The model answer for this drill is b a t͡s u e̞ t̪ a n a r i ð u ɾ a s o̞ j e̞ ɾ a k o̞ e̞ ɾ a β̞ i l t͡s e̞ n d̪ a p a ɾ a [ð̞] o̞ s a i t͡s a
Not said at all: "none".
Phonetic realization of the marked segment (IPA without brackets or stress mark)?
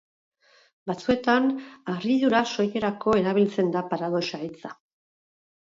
ð̞